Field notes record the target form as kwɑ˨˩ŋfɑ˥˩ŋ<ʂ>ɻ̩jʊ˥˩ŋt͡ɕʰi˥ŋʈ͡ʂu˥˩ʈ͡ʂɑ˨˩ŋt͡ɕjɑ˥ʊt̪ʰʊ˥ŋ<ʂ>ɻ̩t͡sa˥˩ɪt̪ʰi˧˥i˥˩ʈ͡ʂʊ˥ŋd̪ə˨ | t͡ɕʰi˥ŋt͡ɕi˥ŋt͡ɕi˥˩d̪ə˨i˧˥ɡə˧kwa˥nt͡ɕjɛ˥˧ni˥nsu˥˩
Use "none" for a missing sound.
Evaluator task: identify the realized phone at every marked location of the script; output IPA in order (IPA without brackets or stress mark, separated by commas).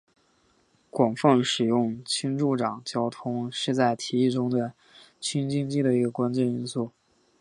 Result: ʂ, ʂ